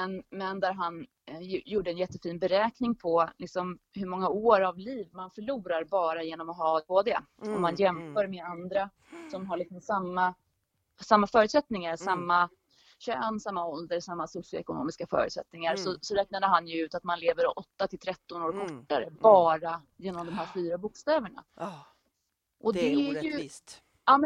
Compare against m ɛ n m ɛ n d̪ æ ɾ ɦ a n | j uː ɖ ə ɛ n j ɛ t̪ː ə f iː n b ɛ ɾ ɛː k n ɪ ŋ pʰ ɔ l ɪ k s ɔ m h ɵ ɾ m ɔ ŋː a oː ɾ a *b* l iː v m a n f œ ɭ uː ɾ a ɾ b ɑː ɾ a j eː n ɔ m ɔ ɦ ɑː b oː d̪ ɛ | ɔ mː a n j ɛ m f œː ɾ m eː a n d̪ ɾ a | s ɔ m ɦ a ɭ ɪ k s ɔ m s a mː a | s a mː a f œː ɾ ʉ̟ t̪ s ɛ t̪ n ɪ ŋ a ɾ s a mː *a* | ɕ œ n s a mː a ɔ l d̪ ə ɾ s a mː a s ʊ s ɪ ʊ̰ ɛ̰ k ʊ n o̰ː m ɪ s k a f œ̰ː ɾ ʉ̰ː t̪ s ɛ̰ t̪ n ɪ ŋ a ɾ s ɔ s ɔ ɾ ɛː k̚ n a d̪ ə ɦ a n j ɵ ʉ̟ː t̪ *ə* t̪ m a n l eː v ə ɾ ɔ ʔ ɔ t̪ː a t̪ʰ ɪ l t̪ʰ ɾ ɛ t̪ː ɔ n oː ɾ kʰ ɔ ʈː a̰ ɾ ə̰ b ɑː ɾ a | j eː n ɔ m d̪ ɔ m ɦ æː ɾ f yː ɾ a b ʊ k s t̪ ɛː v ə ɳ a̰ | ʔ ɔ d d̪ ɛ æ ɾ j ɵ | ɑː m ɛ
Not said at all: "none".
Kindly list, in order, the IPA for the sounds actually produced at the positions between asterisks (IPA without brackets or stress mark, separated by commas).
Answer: v, a, a